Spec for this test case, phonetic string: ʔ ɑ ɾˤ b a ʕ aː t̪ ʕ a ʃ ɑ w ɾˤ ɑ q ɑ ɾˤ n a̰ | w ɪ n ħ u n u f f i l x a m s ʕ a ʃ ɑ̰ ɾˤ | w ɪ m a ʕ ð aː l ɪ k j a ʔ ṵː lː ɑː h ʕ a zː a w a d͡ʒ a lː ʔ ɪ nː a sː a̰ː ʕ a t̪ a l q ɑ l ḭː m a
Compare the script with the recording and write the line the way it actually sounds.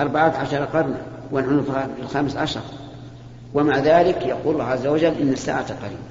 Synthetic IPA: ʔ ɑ ɾˤ b a ʕ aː t̪ ʕ a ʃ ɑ ɾˤ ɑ q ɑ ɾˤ n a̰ | w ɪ n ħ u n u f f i l x a m s ʕ a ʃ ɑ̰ ɾˤ | w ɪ m a ʕ ð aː l ɪ k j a q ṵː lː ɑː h ʕ a zː a w a d͡ʒ a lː ʔ ɪ nː a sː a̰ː ʕ a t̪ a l q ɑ ɾ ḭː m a